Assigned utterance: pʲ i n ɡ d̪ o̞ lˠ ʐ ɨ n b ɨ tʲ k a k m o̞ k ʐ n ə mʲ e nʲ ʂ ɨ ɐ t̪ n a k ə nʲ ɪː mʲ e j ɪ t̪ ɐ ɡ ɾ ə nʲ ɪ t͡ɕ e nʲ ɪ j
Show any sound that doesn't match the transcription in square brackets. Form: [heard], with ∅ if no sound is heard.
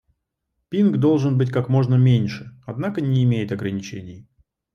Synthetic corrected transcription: pʲ i n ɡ d̪ o̞ lˠ ʐ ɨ n b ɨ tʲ k a k m o̞ [∅] ʐ n ə mʲ e nʲ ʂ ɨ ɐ [d̪] n a k ə nʲ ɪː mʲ e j ɪ t̪ ɐ ɡ ɾ ə nʲ ɪ t͡ɕ e nʲ ɪ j